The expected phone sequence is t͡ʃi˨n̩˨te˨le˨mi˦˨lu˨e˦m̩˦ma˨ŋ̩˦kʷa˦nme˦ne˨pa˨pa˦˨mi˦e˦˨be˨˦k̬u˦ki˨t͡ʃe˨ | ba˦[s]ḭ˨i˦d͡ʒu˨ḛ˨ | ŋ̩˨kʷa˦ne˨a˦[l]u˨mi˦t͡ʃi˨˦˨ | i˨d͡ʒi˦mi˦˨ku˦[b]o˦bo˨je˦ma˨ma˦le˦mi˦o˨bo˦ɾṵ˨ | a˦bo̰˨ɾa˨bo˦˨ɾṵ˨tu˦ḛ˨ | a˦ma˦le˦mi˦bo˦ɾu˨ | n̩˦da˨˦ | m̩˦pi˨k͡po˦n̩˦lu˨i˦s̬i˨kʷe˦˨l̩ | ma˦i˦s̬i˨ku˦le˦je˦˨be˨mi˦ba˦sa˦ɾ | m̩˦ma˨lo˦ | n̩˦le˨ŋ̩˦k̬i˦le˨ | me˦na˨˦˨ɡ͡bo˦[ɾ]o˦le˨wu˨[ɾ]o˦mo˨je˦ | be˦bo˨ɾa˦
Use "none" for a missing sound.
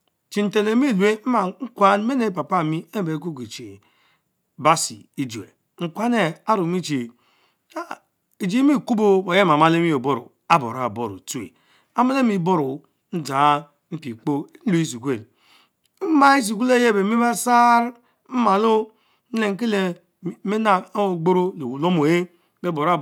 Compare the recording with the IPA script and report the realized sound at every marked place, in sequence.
s, ɾ, b, ɾ, l

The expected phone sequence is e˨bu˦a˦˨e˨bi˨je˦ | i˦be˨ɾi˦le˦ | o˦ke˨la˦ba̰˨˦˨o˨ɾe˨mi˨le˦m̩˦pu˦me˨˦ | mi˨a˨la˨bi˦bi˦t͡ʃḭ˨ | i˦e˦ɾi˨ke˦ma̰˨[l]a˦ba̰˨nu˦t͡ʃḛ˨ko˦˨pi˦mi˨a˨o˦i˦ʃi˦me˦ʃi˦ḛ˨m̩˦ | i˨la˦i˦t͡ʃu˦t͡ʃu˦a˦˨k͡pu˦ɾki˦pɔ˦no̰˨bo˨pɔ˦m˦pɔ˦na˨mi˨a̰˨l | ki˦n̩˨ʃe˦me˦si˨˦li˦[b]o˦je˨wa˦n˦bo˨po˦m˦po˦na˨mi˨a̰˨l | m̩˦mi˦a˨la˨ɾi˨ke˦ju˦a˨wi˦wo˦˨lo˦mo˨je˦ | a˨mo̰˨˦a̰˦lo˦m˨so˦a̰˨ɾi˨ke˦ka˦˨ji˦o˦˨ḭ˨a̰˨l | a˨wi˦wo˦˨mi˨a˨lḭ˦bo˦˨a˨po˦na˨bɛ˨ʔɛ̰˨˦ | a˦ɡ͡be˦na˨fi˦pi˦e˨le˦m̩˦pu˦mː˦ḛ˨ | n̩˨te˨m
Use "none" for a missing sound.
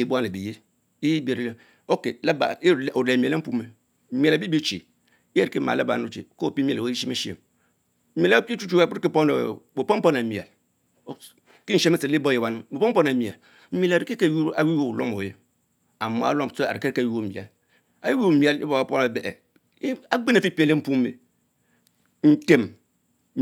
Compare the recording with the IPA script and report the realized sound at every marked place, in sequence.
l, b

